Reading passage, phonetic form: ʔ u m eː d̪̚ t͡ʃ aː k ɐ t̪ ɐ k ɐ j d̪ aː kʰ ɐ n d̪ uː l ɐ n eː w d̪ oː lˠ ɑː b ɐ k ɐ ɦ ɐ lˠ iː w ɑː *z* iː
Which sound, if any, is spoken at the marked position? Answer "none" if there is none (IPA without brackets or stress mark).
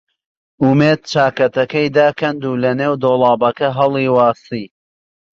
s